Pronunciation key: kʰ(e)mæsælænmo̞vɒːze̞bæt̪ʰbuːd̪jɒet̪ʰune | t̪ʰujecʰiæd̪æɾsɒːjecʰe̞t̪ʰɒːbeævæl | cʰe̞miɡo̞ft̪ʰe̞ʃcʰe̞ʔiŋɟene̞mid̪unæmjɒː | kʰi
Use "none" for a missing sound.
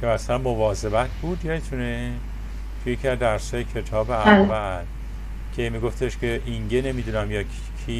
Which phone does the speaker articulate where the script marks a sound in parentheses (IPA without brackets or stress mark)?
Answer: e